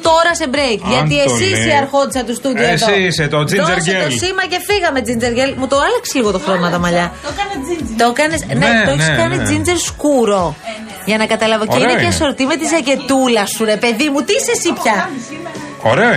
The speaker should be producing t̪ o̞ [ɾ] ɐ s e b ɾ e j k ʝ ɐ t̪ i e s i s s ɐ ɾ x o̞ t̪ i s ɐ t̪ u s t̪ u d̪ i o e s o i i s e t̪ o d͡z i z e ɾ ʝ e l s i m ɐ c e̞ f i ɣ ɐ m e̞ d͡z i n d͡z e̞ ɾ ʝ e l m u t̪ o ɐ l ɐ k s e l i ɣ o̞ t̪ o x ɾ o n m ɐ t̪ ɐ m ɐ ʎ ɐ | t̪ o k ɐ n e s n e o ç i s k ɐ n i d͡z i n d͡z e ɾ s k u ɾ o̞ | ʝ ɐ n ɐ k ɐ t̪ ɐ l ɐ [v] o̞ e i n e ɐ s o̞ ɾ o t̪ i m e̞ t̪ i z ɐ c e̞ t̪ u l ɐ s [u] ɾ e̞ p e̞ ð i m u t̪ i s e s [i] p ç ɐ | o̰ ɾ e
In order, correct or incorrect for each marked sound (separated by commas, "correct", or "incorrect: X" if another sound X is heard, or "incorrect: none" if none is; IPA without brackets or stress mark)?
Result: correct, correct, correct, correct